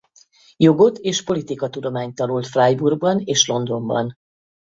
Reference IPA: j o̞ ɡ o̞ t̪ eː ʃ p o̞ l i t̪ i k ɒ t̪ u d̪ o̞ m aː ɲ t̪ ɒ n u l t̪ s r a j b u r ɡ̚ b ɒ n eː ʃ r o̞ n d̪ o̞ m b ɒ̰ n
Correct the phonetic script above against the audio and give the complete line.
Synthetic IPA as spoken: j o̞ ɡ o̞ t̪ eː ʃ p o̞ l i t̪ i k ɒ t̪ u d̪ o̞ m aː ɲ t̪ ɒ n u l t̪ f r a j b u r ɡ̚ b ɒ n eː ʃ l o̞ n d̪ o̞ m b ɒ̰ n